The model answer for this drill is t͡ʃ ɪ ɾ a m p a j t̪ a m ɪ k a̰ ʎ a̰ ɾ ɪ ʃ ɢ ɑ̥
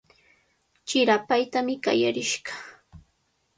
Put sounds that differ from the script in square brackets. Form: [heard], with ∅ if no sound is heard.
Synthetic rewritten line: t͡ʃ ɪ ɾ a [∅] p a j t̪ a m ɪ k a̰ [j] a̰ ɾ ɪ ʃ ɢ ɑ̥